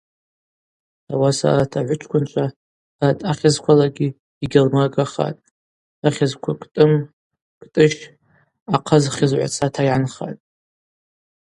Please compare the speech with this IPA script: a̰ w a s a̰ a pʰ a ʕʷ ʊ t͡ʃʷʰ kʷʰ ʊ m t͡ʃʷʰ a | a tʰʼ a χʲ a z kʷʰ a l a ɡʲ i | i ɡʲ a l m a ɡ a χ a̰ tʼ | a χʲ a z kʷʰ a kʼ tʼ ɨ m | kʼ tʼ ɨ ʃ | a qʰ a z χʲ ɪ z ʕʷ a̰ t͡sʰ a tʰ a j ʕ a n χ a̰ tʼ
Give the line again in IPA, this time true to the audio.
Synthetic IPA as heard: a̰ w a s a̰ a tʰ a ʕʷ ʊ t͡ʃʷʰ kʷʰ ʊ n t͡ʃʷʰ a | a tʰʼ a χʲ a z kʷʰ a l a ɡʲ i | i ɡʲ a l m a ɡ a χ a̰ tʼ | a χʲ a z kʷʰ a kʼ tʼ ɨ m | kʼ tʼ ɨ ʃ | a qʰ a z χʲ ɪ z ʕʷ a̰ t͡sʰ a tʰ a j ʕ a n χ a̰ tʼ